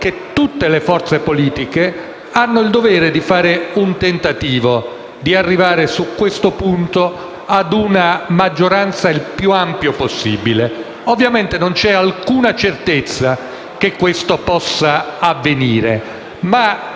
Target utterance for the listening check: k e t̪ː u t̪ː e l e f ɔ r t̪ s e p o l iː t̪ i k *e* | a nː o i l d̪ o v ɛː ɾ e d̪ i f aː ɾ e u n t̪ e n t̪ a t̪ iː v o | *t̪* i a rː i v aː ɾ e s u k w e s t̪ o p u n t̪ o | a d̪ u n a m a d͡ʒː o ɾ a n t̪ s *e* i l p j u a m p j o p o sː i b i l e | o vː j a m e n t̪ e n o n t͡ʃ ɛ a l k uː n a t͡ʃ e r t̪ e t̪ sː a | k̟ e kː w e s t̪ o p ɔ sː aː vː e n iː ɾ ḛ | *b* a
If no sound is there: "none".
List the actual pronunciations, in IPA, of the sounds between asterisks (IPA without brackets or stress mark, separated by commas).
e, d̪, a, m